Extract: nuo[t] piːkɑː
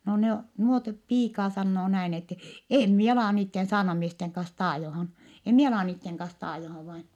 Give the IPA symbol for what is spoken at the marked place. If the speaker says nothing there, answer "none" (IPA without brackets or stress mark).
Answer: t